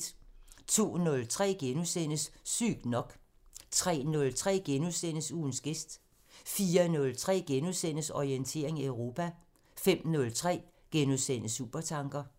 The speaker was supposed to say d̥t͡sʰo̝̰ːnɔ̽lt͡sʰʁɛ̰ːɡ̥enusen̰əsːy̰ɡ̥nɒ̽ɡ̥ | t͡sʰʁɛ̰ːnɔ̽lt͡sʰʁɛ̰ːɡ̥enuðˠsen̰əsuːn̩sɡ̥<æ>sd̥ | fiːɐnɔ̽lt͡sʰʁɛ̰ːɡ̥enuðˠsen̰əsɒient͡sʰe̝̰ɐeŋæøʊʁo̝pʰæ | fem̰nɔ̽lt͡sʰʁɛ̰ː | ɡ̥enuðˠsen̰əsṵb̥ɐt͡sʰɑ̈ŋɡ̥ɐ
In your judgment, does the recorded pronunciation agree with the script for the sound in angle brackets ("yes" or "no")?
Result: no